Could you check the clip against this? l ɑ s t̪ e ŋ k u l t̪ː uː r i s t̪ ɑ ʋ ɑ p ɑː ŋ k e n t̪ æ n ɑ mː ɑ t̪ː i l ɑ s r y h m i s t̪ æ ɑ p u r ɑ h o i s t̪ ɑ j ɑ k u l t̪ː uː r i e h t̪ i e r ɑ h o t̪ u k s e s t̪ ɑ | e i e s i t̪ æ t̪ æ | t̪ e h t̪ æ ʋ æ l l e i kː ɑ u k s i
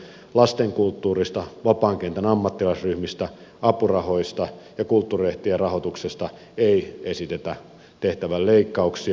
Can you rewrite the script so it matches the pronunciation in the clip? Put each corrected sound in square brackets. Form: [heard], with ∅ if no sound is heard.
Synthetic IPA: l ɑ s t̪ e ŋ k u l t̪ː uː r i s t̪ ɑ ʋ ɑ p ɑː ŋ k e n t̪ æ n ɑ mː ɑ t̪ː i l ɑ s r y h m i s t̪ æ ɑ p u r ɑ h o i s t̪ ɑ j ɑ k u l t̪ː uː r i e h t̪ i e r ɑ h o t̪ u k s e s t̪ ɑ | e i e s i t̪ [e] t̪ æ | t̪ e h t̪ æ ʋ æ l l e i kː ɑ u k s i